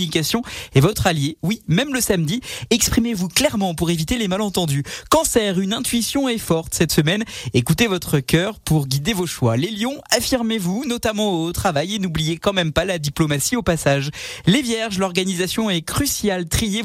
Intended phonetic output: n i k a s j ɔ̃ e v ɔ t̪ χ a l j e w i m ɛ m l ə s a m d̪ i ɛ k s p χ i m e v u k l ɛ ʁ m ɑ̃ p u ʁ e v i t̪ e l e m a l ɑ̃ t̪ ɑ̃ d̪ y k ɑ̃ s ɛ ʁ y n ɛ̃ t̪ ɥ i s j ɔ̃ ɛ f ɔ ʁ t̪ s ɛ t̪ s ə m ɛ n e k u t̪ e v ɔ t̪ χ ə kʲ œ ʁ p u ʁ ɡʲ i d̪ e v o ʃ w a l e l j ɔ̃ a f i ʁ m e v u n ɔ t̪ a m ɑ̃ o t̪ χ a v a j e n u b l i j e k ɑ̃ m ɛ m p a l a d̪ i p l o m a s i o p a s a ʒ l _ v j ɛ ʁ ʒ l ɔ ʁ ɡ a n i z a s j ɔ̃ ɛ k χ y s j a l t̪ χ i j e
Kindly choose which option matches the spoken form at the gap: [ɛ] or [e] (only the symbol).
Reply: e